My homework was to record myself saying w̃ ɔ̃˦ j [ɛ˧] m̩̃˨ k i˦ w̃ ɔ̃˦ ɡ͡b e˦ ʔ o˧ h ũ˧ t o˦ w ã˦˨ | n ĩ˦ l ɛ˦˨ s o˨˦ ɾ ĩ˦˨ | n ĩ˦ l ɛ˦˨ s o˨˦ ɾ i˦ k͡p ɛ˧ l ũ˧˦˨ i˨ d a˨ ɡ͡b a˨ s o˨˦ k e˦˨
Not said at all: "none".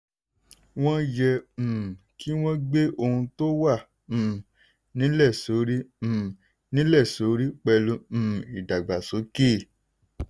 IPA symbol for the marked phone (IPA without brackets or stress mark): ɛ˧